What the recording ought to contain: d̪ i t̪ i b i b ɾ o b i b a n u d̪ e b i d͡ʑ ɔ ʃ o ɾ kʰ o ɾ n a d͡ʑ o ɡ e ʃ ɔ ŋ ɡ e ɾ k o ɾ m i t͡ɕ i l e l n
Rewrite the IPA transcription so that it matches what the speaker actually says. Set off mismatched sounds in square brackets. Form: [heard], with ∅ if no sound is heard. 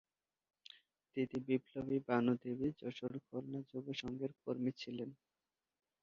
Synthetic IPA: [t̪] i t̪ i b i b [l] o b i b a n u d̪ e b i d͡ʑ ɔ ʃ o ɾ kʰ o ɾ n a d͡ʑ o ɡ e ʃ ɔ ŋ ɡ e ɾ k o ɾ m i [t͡ɕʰ] i l e [∅] n